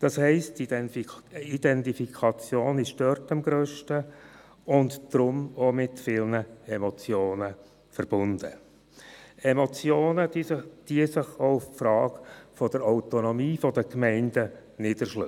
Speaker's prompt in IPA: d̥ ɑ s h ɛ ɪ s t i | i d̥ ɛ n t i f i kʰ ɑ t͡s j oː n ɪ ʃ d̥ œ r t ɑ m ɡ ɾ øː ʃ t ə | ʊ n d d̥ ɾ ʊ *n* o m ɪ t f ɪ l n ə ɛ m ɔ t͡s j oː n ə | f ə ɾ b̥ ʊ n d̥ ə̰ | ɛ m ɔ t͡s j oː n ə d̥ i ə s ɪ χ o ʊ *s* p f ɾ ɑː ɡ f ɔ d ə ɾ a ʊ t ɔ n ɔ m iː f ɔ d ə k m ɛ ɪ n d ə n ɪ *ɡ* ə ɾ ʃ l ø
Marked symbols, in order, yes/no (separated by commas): no, no, no